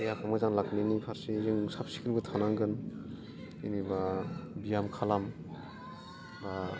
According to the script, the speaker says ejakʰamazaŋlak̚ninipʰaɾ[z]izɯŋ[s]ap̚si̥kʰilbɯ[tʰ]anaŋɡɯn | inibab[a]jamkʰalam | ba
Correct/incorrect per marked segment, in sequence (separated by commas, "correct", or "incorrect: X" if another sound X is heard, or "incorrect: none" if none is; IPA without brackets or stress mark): incorrect: s, correct, correct, incorrect: i